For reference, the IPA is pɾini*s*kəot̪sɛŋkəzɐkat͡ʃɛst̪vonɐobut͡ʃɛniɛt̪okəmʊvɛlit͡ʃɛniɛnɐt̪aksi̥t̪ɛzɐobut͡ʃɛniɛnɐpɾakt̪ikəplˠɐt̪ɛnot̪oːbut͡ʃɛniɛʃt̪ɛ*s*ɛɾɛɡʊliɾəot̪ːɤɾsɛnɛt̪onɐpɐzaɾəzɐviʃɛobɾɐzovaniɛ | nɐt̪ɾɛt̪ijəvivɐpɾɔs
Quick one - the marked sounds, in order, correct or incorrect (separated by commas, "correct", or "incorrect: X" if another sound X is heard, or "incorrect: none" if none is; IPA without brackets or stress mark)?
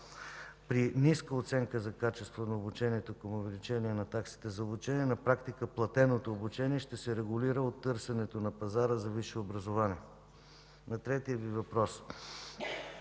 correct, correct